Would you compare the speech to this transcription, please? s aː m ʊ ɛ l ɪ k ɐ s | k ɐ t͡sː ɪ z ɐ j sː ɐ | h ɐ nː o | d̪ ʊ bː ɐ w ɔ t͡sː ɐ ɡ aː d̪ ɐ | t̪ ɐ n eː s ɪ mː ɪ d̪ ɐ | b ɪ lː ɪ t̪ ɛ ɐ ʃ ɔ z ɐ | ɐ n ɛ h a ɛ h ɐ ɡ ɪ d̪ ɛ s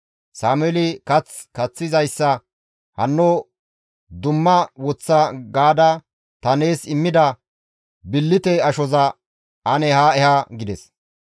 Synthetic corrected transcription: s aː m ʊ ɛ l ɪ k ɐ t͡s | k ɐ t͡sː ɪ z ɐ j sː ɐ | h ɐ nː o | d̪ ʊ mː ɐ w ɔ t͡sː ɐ ɡ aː d̪ ɐ | t̪ ɐ n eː s ɪ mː ɪ d̪ ɐ | b ɪ lː ɪ t̪ ɛ ɐ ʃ ɔ z ɐ | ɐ n ɛ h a ɛ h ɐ ɡ ɪ d̪ ɛ s